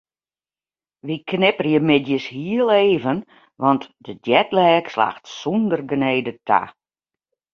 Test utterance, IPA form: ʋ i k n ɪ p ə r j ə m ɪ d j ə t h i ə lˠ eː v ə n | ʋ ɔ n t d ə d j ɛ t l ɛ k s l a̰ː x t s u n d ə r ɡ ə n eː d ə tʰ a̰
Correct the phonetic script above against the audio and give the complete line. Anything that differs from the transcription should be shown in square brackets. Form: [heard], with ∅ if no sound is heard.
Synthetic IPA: ʋ i k n ɪ p ə r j ə m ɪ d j ə [s] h i ə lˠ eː v ə n | ʋ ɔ n t d ə d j ɛ t l [ɛː] k s l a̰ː x t s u n d ə r ɡ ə n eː d ə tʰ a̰